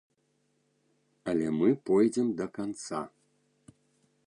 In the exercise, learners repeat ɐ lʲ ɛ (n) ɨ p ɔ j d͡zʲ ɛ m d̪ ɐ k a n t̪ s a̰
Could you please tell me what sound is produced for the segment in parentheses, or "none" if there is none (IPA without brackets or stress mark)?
m